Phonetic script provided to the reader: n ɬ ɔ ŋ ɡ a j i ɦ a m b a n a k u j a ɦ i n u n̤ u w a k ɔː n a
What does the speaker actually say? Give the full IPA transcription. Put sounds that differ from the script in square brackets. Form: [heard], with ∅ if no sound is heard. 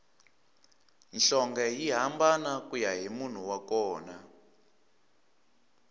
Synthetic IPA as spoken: n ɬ ɔ ŋ ɡ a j i ɦ a m b a n a k u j a ɦ i [m] u n̤ u w a k ɔː n a